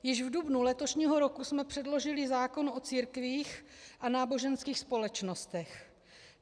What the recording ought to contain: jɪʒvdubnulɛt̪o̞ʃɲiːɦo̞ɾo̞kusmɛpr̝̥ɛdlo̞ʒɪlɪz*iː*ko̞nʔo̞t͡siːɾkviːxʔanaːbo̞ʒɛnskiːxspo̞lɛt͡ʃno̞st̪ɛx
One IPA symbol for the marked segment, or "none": aː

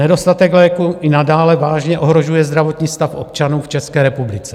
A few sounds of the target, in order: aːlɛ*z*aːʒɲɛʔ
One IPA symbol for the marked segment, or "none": v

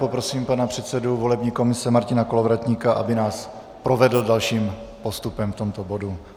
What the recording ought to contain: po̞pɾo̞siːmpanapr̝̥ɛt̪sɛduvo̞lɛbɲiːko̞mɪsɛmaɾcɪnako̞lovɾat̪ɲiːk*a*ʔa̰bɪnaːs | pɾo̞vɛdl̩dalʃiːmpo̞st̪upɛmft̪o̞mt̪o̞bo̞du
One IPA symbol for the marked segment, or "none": a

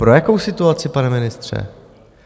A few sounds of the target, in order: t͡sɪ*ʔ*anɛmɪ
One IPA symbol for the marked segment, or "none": p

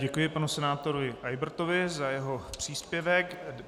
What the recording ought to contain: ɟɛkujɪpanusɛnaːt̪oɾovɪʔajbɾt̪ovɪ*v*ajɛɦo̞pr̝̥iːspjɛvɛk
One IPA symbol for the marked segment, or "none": z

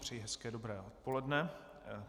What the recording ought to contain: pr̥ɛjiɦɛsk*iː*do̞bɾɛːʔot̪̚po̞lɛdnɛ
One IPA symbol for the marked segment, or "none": ɛː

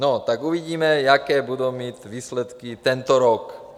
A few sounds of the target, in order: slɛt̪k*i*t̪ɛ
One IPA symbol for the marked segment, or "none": i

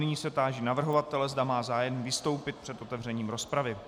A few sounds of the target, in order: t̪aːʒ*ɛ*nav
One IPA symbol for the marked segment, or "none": i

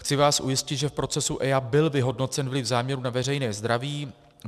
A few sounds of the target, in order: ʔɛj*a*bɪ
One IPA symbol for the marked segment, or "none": a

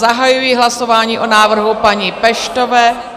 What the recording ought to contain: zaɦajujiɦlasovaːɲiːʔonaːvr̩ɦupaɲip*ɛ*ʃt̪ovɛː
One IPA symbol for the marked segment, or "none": ɛ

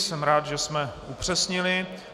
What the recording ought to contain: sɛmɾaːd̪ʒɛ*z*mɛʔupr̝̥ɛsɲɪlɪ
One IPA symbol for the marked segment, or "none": s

